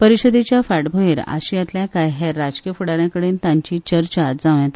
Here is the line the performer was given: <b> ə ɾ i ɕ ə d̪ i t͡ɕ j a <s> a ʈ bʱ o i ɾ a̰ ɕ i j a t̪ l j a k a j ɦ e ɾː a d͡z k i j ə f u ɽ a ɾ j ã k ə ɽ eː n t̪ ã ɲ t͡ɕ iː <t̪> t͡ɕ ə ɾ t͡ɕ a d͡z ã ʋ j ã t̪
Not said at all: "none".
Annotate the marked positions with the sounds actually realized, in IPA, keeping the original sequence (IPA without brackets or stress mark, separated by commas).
p, f, none